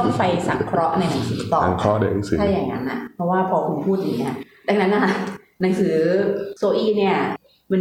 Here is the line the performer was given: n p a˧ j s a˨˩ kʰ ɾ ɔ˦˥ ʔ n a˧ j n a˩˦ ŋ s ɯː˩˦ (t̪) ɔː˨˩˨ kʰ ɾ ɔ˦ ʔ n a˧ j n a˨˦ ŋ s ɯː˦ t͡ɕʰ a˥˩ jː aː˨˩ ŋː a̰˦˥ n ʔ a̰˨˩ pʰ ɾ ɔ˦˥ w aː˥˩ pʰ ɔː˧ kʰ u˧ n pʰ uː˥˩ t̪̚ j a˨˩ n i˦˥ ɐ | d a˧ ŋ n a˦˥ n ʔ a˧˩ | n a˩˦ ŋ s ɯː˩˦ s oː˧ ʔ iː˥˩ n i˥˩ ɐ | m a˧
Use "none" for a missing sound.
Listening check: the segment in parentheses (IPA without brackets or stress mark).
t̪